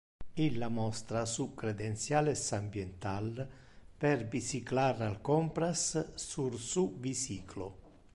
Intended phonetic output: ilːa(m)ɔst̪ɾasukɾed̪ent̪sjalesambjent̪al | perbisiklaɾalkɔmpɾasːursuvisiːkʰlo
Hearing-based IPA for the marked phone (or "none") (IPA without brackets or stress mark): m